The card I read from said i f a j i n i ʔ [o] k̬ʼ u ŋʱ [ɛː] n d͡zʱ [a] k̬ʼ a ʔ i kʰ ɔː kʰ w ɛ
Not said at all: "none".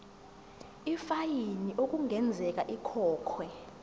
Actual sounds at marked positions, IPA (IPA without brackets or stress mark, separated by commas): o, ɛ, ɛ